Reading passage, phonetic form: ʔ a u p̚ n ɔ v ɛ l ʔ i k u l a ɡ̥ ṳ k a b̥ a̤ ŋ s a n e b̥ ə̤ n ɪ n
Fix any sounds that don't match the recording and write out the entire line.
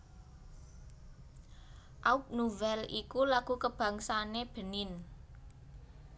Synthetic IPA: ʔ a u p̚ n u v ɛ l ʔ i k u l a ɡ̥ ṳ k ə b̥ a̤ ŋ s a n e b̥ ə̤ n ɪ n